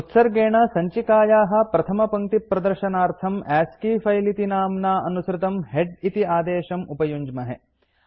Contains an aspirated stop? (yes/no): yes